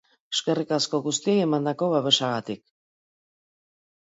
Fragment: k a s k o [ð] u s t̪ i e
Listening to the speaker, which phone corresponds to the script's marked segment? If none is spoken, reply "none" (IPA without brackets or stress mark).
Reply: ɣ